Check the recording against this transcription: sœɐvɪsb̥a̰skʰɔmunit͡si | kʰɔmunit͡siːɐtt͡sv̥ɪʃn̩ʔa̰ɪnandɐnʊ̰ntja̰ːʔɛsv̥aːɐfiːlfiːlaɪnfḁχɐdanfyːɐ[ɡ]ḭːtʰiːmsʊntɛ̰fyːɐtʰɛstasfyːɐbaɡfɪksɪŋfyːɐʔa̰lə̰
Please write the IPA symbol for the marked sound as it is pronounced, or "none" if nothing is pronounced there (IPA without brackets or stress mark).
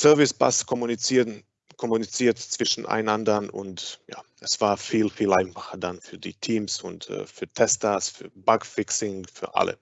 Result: d